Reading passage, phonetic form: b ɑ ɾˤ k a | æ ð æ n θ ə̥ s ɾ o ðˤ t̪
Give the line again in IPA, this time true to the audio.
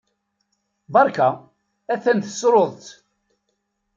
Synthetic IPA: b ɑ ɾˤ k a | æ θ æ n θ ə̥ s ɾ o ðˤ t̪